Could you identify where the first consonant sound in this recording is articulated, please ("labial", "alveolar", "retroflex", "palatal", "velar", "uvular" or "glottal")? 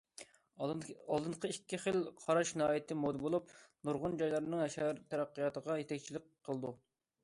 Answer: alveolar